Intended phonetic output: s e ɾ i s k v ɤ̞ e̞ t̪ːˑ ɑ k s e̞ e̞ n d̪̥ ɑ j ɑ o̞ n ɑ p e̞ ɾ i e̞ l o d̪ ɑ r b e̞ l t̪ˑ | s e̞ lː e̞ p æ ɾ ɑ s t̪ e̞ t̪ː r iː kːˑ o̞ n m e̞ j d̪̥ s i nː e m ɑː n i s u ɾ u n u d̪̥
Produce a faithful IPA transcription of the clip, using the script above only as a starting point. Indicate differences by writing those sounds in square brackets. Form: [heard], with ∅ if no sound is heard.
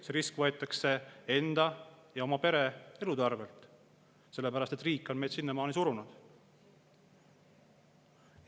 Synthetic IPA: s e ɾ i s k v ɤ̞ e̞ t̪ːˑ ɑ k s e̞ e̞ n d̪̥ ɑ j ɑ o̞ [m] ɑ p e̞ ɾ [e] e̞ l [u] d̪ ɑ r [v] e̞ l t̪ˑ | s e̞ lː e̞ p æ ɾ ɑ s t̪ e̞ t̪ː r iː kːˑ o̞ n m e̞ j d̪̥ s i nː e m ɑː n i s u ɾ u n u d̪̥